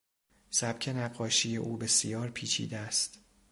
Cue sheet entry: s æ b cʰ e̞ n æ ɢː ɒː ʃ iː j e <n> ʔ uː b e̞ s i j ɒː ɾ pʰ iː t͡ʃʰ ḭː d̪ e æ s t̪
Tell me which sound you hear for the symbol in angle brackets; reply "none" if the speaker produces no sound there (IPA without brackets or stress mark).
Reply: none